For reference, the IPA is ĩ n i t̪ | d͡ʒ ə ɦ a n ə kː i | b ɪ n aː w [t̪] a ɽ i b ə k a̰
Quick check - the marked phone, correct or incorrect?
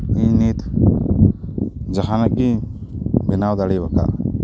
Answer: incorrect